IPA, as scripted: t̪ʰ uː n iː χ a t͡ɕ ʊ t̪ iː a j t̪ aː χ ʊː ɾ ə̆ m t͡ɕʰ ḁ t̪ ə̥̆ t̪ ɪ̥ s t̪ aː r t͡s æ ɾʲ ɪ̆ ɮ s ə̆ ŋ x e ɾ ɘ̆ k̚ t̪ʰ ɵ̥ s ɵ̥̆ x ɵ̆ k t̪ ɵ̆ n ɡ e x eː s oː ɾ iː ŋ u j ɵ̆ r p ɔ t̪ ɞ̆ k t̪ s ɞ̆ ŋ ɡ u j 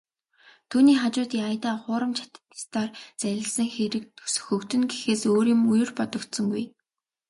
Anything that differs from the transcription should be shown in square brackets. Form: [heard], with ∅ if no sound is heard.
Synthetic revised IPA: t̪ʰ uː n iː χ a t͡ɕ [ʊː] t̪ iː a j t̪ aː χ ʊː ɾ ə̆ m t͡ɕʰ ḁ t̪ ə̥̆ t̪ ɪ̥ s t̪ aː r t͡s æ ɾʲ ɪ̆ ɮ s ə̆ ŋ x e ɾ ɘ̆ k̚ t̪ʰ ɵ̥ s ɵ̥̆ x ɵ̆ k t̪ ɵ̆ n ɡ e x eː s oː ɾ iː [m] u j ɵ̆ r p ɔ t̪ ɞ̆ k t̪ s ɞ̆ ŋ ɡ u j